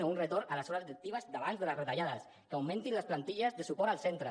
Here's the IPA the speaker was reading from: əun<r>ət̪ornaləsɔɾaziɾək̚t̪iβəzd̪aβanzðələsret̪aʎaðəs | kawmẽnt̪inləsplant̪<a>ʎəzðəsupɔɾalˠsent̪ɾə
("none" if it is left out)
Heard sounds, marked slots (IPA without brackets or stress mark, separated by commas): r, i